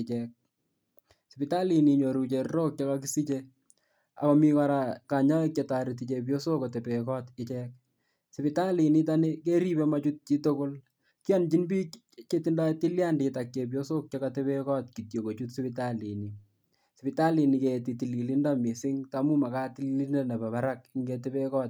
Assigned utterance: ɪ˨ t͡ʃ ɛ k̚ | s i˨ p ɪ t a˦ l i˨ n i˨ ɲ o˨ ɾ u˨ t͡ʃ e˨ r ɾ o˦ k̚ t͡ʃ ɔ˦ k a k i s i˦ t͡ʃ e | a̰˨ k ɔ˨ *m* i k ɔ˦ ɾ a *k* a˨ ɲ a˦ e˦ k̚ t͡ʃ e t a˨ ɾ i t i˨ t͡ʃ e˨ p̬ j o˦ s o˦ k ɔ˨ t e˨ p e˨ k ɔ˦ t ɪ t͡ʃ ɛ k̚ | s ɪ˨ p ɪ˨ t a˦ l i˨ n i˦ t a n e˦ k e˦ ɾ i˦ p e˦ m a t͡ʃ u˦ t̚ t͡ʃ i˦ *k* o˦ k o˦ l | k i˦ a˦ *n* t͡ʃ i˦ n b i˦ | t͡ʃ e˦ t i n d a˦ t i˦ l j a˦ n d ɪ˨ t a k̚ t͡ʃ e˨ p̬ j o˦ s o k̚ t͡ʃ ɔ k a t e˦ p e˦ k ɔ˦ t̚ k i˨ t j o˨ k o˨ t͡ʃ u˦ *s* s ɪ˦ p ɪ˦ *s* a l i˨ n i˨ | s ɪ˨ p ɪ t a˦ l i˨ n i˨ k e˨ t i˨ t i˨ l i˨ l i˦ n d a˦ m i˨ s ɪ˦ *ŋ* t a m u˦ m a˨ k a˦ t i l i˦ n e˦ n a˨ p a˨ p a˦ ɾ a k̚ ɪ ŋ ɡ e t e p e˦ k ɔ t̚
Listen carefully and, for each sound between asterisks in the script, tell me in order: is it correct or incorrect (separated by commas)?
correct, correct, incorrect, correct, incorrect, incorrect, correct